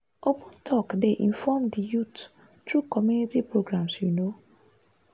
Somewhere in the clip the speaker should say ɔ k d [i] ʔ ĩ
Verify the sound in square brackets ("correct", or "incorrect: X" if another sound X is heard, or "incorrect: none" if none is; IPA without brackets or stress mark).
incorrect: e